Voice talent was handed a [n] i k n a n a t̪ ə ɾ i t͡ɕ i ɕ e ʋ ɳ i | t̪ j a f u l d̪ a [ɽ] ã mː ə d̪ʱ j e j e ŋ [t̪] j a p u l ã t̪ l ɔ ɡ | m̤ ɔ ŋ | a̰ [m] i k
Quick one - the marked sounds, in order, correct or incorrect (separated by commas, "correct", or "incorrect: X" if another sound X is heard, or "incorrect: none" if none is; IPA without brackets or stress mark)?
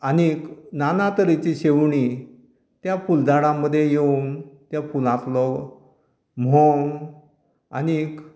correct, correct, correct, incorrect: n